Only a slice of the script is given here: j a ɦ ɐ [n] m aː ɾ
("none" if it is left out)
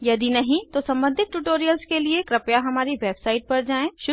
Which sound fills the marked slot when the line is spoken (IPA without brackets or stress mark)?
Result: none